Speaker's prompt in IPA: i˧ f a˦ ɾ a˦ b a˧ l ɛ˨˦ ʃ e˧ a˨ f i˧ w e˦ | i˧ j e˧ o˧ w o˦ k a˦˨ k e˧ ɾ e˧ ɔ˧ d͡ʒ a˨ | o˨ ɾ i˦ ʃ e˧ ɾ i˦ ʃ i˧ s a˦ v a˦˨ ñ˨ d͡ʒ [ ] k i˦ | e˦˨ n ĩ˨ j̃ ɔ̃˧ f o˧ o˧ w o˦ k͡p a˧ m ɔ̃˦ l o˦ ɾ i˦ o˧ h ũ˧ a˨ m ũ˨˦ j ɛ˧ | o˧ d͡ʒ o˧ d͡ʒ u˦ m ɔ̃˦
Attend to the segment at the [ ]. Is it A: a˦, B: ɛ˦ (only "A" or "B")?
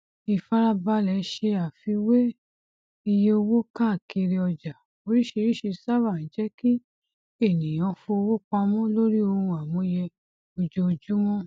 B